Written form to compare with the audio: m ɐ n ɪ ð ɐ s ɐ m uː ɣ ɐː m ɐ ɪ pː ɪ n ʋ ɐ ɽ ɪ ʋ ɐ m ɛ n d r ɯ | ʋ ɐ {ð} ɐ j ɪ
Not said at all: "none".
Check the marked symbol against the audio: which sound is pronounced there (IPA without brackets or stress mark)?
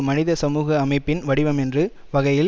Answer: ɣ